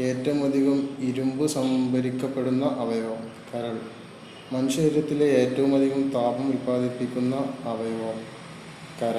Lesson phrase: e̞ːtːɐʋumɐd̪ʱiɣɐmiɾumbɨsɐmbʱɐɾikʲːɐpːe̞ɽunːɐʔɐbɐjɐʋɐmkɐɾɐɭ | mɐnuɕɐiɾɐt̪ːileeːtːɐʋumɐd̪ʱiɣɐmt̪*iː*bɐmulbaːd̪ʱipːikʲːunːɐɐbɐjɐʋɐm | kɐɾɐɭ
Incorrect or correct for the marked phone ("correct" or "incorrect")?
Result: incorrect